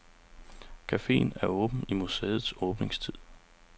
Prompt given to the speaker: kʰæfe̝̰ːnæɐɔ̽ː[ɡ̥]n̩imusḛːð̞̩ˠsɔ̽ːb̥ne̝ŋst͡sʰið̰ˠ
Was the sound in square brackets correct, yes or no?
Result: no